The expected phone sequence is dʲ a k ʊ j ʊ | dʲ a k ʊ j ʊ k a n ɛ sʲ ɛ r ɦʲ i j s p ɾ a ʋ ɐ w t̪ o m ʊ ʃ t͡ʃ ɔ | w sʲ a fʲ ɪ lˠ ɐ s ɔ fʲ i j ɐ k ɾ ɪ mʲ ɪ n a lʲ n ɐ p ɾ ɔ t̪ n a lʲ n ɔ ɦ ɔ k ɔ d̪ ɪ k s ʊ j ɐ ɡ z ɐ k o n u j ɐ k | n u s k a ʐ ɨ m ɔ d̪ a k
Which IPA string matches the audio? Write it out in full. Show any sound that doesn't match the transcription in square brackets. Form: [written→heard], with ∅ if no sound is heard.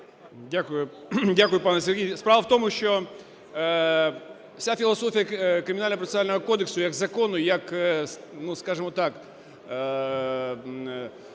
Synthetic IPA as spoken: dʲ a k ʊ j ʊ | dʲ a k ʊ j ʊ [k→p] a n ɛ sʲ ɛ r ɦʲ i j s p ɾ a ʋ ɐ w t̪ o m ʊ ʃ t͡ʃ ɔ | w sʲ a fʲ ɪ lˠ ɐ s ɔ fʲ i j ɐ k ɾ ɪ mʲ ɪ n a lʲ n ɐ p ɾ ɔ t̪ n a lʲ n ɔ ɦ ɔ k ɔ d̪ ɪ k s ʊ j ɐ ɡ z ɐ k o n [u→ʊ] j ɐ k | n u s k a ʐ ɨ m ɔ [d̪→t̪] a k